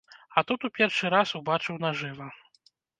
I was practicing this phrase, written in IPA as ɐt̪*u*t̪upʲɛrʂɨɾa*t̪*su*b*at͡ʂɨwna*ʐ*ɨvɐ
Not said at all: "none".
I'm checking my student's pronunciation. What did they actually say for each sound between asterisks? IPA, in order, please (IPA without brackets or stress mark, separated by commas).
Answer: u, none, b, ʐ